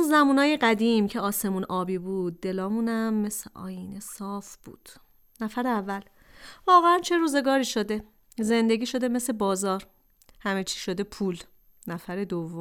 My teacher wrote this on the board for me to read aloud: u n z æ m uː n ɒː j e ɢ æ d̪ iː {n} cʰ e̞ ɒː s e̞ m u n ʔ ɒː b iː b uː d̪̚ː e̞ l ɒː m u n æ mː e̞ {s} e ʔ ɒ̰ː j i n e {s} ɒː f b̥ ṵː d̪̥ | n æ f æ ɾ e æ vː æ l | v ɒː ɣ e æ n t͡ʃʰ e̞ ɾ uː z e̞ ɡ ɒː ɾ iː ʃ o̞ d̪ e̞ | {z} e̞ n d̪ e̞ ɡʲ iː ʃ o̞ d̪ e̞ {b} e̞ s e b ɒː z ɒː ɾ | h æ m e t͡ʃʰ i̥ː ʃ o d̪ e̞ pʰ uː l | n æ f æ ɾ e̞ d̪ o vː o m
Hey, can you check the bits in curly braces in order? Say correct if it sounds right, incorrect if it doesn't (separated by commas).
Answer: incorrect, correct, correct, correct, incorrect